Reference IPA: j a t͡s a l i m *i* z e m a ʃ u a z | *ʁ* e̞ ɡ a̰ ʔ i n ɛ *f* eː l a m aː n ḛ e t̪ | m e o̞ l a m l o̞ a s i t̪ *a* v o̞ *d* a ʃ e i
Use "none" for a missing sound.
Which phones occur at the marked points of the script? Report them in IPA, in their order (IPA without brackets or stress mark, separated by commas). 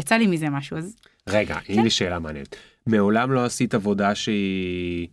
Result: i, ʁ, ʃ, a, d